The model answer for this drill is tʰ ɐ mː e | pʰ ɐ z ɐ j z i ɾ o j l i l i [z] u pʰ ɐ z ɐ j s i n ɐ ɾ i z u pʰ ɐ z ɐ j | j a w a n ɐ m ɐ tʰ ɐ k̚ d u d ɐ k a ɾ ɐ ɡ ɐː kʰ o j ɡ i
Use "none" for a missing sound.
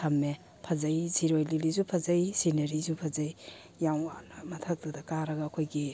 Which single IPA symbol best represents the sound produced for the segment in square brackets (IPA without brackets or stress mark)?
z